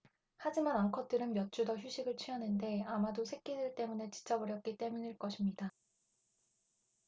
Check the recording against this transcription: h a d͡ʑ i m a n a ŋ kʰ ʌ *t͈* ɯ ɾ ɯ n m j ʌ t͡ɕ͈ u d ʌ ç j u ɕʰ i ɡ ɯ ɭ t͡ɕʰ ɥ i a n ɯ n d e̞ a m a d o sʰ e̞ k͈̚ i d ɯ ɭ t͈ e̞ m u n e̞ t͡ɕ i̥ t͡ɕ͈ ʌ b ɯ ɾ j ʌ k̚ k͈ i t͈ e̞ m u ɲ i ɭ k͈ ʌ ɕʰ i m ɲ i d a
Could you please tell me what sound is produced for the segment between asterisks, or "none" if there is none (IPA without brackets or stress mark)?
t͈